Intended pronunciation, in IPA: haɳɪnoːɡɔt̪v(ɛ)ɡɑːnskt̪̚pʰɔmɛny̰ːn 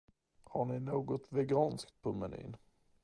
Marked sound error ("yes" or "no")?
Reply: no